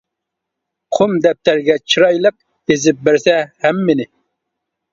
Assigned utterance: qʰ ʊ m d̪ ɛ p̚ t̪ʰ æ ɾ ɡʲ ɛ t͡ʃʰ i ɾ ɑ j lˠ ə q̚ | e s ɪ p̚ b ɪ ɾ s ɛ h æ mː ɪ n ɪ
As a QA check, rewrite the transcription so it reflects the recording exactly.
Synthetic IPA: qʰ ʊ m d̪ ɛ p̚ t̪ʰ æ ɾ ɡʲ ɛ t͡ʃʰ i ɾ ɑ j lˠ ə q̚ | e z ɪ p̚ b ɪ ɾ s ɛ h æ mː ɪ n ɪ